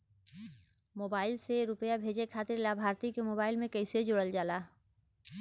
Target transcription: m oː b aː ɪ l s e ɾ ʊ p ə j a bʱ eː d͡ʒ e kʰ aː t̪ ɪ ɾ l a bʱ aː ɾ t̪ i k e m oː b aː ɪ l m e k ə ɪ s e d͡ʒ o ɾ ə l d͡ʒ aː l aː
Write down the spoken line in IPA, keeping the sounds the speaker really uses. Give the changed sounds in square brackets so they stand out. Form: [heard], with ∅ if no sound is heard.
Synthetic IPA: m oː b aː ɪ l s e ɾ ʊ p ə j a bʱ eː d͡ʒ e kʰ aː t̪ ɪ ɾ l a bʱ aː ɾ t̪ i k e m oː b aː ɪ l m [ẽ] k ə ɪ s e d͡ʒ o [ɽ] ə l d͡ʒ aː l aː